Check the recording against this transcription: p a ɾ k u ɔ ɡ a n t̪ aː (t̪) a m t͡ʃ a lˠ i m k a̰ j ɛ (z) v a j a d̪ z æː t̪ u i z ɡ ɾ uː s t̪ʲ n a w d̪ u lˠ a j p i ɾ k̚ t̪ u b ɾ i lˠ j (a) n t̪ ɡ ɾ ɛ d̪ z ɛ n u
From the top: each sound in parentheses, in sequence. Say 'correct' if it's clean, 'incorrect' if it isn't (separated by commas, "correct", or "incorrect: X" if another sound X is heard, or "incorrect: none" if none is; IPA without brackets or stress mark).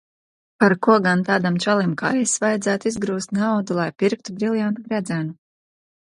incorrect: d̪, incorrect: s, correct